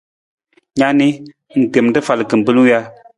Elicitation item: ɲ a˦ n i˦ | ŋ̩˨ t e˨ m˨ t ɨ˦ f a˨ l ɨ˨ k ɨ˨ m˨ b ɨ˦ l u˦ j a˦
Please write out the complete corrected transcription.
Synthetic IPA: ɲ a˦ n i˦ | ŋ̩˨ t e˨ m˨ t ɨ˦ f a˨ l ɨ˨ k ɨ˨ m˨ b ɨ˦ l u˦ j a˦